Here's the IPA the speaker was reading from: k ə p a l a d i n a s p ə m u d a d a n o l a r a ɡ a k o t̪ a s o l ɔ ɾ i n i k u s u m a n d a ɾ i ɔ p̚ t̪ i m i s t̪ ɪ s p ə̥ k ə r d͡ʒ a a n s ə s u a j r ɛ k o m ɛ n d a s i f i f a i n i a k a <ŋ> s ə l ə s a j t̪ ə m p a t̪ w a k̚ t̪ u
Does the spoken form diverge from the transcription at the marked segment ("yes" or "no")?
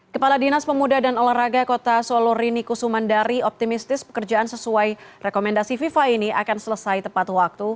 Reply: yes